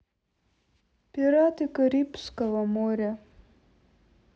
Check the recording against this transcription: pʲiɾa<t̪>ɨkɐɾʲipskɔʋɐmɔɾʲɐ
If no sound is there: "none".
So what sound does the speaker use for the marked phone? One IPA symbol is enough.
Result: t̪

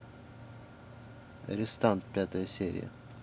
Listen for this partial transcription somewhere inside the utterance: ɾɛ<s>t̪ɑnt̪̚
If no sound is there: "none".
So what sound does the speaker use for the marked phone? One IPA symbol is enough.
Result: s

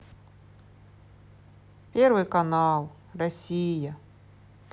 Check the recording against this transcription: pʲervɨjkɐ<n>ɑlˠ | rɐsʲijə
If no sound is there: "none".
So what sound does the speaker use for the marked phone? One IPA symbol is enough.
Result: n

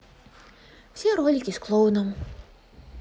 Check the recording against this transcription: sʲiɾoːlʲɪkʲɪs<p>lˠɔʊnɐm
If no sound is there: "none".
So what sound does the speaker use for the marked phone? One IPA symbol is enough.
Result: k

